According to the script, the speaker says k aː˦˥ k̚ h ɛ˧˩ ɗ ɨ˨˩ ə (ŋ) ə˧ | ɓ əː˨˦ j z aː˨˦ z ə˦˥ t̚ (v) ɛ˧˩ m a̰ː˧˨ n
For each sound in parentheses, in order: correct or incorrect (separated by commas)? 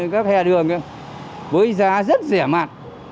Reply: correct, incorrect